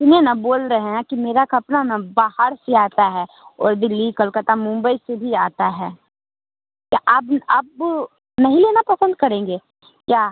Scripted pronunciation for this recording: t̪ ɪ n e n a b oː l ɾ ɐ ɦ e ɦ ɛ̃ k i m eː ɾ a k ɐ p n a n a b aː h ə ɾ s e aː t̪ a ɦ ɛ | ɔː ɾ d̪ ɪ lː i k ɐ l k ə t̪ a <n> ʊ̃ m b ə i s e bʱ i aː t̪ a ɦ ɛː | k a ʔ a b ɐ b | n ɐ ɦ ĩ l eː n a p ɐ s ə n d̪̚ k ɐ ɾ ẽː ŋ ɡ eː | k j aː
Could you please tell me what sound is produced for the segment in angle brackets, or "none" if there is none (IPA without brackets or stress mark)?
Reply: m